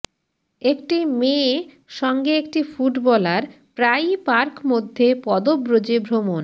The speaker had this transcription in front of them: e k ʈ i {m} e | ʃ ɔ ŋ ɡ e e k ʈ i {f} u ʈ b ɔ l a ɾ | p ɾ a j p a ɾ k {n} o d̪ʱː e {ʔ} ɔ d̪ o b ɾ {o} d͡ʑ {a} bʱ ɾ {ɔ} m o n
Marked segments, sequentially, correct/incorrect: correct, correct, incorrect: m, incorrect: p, correct, incorrect: e, incorrect: o

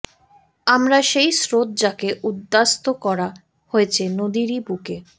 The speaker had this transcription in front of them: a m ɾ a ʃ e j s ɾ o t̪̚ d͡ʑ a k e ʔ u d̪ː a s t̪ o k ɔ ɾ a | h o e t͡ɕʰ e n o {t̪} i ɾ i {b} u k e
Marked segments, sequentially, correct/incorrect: incorrect: d̪, correct

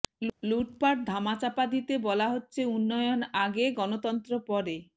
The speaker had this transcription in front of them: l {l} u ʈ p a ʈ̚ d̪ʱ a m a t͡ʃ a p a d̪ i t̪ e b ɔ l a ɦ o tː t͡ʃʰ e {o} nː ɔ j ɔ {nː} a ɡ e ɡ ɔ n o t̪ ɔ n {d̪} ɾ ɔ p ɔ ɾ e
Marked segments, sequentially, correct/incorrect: correct, incorrect: u, incorrect: n, incorrect: t̪

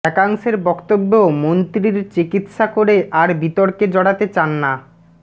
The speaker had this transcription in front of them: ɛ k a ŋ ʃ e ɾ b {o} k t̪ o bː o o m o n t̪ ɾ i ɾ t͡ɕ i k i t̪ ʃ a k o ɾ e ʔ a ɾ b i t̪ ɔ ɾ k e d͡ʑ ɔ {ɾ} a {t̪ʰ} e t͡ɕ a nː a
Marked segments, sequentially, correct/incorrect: incorrect: ɔ, incorrect: ɽ, incorrect: t̪

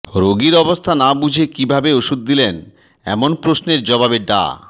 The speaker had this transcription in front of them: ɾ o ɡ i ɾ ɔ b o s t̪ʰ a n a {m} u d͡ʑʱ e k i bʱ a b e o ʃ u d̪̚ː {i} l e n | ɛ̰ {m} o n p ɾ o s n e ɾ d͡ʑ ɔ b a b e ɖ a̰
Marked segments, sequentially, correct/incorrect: incorrect: b, correct, correct

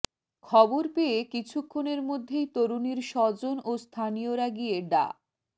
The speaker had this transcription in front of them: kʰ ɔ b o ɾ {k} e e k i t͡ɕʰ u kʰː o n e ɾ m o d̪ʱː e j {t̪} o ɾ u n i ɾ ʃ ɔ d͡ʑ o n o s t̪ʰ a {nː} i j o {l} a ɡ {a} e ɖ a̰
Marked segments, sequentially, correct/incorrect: incorrect: p, correct, incorrect: n, incorrect: ɾ, incorrect: i

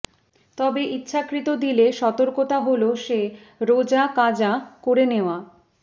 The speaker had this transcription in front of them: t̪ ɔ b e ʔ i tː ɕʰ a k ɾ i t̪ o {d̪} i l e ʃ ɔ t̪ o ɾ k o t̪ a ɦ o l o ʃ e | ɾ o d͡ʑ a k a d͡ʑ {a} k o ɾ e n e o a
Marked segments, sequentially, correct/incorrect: correct, correct

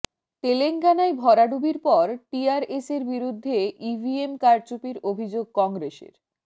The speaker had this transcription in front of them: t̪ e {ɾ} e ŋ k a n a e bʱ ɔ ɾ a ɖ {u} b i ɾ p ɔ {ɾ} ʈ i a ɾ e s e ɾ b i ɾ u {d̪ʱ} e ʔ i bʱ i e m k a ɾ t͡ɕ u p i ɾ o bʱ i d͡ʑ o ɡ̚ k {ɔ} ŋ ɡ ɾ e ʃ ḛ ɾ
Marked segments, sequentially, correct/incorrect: incorrect: l, correct, correct, incorrect: d̪ʱː, correct

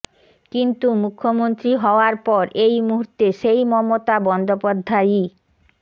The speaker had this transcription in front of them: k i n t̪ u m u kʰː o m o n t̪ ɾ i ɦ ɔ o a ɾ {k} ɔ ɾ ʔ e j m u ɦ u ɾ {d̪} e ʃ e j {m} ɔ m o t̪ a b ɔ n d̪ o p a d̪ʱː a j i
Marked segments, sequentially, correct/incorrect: incorrect: p, incorrect: t̪, correct

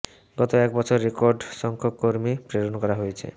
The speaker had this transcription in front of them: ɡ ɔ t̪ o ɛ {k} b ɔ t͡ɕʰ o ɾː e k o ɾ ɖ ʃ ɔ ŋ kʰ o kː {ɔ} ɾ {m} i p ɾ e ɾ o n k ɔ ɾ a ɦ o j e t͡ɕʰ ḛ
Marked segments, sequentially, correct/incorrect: correct, incorrect: o, correct

